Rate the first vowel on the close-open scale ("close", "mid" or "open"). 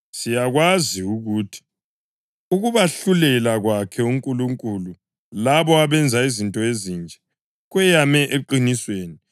close